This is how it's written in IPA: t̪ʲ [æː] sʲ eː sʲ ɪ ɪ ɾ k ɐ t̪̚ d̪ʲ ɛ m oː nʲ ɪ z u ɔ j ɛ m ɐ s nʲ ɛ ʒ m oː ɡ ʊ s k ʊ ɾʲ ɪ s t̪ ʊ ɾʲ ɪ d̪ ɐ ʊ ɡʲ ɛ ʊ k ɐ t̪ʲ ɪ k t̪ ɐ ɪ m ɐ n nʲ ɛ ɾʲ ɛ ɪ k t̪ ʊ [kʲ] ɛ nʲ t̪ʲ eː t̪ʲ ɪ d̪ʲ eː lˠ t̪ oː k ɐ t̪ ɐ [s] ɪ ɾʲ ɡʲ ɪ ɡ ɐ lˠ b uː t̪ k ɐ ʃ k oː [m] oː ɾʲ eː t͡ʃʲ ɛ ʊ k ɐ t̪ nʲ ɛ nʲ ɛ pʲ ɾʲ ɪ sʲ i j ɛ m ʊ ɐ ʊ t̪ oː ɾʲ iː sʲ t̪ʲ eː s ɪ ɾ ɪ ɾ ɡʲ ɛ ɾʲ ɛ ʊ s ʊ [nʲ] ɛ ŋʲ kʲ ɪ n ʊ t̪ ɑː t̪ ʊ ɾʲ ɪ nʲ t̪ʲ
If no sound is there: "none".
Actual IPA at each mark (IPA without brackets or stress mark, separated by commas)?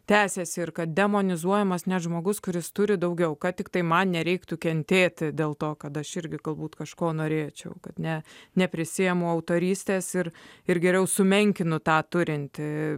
æː, kʲ, ʃ, n, mʲ